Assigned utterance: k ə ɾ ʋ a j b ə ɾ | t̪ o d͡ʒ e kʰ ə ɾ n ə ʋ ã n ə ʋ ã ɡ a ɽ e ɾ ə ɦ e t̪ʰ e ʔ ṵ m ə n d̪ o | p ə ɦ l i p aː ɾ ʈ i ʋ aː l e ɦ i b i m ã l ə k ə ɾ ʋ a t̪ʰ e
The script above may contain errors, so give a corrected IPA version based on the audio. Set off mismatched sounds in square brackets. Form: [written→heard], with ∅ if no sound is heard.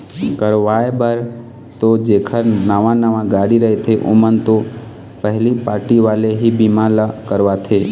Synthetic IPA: k ə ɾ ʋ a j b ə ɾ | t̪ o d͡ʒ e kʰ ə ɾ n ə ʋ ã n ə ʋ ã ɡ a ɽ [e→i] ɾ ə ɦ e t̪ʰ e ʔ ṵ m ə n [d̪→t̪] o | p ə ɦ l i p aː ɾ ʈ i ʋ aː l e ɦ i b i m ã l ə k ə ɾ ʋ a t̪ʰ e